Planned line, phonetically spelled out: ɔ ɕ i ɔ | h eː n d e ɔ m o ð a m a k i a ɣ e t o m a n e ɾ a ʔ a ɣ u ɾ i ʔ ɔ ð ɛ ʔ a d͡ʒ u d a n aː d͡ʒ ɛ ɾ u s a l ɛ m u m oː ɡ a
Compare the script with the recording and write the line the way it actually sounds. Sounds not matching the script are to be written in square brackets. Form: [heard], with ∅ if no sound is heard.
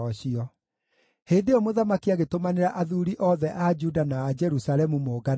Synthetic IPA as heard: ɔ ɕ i ɔ | h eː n d e ɔ m o ð a m a k i a ɣ e t o m a n e ɾ a ʔ a [ð] u ɾ i ʔ ɔ ð ɛ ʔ a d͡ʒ u d a n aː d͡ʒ ɛ ɾ u s a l ɛ m u m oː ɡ a